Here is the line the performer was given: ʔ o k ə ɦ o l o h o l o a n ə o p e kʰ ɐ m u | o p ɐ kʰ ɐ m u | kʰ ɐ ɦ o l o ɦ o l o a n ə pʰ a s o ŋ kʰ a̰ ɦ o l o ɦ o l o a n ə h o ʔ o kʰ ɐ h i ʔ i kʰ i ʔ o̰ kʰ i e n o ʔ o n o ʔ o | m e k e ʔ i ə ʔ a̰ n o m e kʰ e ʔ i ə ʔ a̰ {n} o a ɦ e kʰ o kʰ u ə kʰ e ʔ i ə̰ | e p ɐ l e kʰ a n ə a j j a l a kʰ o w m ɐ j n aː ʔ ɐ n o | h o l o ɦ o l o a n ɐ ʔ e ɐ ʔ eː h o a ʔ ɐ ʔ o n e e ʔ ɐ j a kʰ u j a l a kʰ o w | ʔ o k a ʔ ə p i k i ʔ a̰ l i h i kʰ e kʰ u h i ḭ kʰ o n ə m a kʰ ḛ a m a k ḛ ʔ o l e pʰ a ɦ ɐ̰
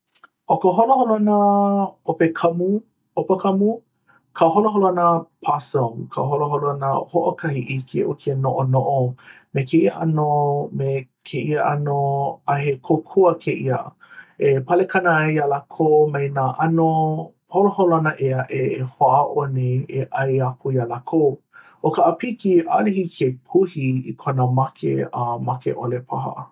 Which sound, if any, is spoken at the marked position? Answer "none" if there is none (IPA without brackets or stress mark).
n